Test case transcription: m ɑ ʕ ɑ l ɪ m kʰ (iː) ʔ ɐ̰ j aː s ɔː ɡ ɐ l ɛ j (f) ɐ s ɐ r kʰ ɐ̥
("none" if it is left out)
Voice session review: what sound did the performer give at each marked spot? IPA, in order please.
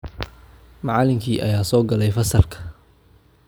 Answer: iː, f

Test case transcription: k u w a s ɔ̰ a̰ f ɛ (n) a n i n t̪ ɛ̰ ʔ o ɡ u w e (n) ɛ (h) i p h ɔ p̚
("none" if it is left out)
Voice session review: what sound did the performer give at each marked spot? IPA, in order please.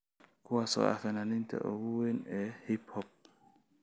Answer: n, n, h

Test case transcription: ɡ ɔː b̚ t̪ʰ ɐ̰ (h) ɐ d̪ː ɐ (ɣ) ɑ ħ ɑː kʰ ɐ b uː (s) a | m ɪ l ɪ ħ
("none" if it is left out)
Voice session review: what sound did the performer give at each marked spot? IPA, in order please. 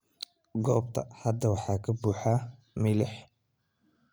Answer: h, w, ħ

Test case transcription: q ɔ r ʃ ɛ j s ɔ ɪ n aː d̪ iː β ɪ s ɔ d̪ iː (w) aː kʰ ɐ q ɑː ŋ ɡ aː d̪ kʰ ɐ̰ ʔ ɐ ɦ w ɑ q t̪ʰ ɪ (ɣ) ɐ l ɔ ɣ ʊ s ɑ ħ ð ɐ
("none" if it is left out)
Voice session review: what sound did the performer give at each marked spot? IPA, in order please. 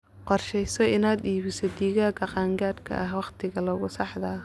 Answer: ɣ, ɣ

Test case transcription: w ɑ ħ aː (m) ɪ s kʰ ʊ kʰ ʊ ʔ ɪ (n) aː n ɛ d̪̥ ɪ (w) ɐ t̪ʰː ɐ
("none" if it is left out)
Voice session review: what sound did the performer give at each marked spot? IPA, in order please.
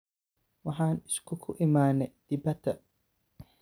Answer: n, m, b

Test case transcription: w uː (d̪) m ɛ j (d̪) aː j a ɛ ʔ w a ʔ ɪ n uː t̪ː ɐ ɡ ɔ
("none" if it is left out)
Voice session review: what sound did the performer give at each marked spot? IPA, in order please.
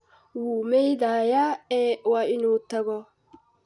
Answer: none, d̪

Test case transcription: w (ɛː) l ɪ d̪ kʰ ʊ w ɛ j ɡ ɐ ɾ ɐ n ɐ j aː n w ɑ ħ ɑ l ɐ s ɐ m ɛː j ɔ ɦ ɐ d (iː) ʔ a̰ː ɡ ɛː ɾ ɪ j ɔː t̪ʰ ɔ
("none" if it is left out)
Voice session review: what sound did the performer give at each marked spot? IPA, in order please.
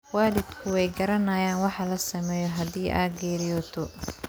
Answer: aː, iː

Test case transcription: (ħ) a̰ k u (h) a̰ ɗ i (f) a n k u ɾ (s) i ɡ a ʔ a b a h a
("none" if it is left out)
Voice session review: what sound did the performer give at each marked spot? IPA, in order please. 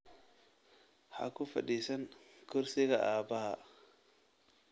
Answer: h, f, s, s

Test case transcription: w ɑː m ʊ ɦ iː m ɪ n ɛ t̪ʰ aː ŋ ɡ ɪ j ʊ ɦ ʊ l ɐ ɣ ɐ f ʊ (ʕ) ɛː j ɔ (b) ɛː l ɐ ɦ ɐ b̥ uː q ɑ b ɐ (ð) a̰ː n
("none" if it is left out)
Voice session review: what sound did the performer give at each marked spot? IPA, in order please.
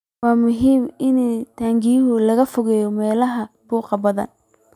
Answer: ɣ, m, ð

